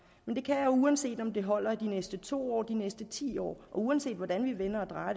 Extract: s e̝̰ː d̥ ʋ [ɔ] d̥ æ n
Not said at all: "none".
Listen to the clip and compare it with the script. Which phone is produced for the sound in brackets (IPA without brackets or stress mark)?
ɒ